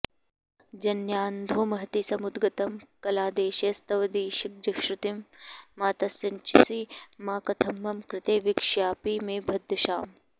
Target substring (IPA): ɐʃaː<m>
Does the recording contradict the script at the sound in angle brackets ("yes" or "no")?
no